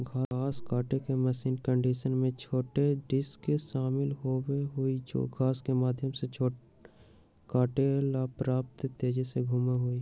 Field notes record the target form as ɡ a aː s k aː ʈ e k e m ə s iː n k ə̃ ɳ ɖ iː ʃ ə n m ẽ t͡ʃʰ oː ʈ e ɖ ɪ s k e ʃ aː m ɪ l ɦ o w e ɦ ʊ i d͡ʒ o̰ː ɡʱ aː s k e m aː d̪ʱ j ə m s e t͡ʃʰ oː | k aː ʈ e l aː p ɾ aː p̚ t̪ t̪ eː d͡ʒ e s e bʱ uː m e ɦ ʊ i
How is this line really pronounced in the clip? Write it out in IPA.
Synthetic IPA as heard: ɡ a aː s k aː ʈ e k e m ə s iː n k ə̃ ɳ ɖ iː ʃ ə n m ẽ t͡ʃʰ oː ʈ e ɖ ɪ s k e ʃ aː m ɪ l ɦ o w e ɦ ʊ i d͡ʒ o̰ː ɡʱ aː s k e m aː d̪ʱ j ə m s e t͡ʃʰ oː | k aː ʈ e l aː p ɾ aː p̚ t̪ t̪ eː d͡ʒ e s e ɡʱ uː m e ɦ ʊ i